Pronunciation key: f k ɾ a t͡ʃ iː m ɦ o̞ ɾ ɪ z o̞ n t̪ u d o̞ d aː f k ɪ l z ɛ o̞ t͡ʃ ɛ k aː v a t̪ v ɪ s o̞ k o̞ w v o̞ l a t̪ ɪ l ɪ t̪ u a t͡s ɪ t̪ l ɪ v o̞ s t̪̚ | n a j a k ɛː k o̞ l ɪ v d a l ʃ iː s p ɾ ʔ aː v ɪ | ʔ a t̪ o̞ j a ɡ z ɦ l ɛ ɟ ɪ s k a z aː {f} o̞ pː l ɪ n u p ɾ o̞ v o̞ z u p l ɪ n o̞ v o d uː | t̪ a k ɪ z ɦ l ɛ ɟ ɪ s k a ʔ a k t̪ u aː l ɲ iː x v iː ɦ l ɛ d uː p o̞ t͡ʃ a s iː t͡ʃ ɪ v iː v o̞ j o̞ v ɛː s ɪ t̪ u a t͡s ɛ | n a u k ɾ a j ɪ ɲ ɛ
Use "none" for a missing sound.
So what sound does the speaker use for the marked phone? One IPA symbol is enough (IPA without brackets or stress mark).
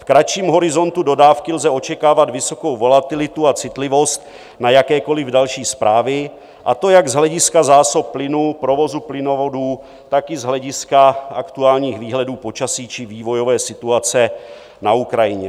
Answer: s